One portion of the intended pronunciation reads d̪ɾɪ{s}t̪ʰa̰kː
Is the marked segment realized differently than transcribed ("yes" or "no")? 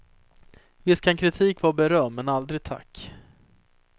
yes